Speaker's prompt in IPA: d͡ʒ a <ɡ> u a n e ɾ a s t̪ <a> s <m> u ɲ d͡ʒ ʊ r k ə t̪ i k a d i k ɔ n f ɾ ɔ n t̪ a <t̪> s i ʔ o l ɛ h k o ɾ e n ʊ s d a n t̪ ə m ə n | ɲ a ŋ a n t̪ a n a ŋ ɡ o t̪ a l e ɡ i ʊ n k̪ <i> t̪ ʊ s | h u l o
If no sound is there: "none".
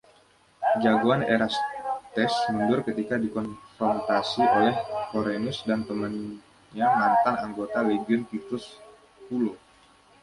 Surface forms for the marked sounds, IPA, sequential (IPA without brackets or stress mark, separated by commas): ɡ, ɛ, m, none, i